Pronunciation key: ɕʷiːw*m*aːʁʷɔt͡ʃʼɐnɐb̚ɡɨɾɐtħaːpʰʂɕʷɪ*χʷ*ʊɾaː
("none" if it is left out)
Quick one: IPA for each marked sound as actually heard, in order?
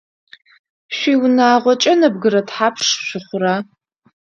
n, χʷ

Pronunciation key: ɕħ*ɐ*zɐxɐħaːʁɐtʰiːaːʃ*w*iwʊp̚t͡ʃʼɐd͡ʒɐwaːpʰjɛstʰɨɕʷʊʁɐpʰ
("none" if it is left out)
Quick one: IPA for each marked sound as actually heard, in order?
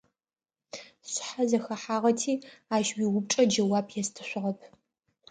a, w

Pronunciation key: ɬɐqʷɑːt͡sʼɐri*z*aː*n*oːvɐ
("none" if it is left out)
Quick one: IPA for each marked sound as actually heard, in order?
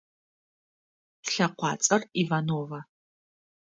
v, n

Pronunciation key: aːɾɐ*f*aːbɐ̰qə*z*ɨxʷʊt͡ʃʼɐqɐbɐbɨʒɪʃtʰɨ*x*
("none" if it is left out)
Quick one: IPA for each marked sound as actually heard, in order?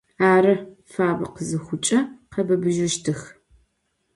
f, z, x

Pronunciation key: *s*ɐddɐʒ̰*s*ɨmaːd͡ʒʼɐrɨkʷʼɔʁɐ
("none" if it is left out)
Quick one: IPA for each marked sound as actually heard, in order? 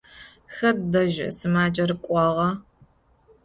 x, s

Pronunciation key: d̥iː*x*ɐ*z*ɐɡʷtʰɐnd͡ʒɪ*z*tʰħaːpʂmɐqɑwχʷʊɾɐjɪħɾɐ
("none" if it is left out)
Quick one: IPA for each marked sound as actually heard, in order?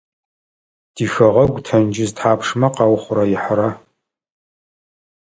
x, ʁ, z

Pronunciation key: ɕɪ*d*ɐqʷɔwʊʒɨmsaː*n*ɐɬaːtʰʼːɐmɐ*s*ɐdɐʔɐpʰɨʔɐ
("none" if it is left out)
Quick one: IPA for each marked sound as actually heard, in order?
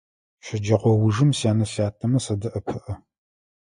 d͡ʒ, n, s

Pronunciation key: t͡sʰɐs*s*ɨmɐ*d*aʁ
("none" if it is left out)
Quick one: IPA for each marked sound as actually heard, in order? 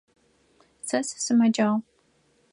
s, d͡ʒ

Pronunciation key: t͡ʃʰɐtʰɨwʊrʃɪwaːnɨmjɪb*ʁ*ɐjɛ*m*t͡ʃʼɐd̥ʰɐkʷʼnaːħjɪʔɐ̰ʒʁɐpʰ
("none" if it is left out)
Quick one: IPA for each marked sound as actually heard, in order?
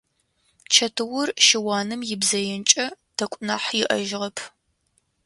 z, n

